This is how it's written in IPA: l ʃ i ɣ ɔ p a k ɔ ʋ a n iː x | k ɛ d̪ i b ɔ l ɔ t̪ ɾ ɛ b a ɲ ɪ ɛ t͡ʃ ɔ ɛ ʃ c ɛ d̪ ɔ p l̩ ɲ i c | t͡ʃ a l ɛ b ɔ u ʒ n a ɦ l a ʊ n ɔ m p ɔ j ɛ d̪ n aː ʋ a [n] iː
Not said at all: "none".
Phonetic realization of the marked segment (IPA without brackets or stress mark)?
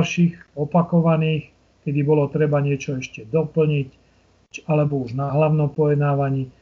ɲ